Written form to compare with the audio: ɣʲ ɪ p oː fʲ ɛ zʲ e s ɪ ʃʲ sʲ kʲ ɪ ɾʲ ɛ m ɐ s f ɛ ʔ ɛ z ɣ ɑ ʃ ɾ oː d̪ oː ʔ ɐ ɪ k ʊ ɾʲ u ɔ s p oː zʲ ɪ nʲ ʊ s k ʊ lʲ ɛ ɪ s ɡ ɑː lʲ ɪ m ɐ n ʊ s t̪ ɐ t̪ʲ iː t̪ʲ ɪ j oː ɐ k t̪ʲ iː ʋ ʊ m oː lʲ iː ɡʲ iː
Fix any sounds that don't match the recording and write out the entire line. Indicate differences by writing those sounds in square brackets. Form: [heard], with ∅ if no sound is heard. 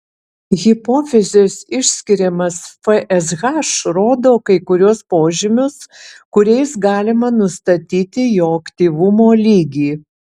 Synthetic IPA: ɣʲ ɪ p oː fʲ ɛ zʲ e s ɪ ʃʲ sʲ kʲ ɪ ɾʲ ɛ m ɐ s f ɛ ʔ ɛ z ɣ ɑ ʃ ɾ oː d̪ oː [k] ɐ ɪ k ʊ ɾʲ u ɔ s p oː [ʒʲ] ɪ [mʲ] ʊ s k ʊ [ɾʲ] ɛ ɪ s ɡ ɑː lʲ ɪ m ɐ n ʊ s t̪ ɐ t̪ʲ iː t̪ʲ ɪ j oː ɐ k t̪ʲ iː ʋ ʊ m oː lʲ iː ɡʲ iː